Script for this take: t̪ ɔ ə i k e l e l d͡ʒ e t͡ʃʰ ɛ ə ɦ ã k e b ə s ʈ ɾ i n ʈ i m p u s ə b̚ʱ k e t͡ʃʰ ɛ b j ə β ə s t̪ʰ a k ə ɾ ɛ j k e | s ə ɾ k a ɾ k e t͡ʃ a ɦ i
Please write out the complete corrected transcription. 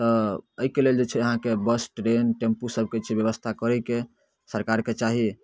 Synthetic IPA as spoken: t̪ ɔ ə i k e l e l d͡ʒ e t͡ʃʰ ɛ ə ɦ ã k e b ə s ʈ ɾ e n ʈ e m p u s ə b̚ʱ k e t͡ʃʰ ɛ b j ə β ə s t̪ʰ a k ə ɾ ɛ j k e | s ə ɾ k a ɾ k e t͡ʃ a ɦ i